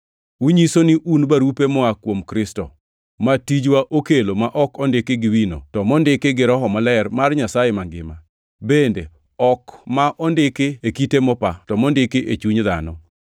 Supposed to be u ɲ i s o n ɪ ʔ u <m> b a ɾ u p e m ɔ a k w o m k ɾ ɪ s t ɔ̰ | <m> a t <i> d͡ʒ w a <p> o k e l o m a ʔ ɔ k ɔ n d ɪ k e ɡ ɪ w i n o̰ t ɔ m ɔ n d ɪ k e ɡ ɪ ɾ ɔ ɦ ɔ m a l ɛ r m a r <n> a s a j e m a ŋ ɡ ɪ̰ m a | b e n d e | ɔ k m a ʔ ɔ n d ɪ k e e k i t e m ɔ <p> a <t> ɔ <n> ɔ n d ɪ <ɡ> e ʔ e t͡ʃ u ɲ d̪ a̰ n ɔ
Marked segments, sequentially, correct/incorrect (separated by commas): incorrect, correct, correct, incorrect, incorrect, correct, correct, incorrect, incorrect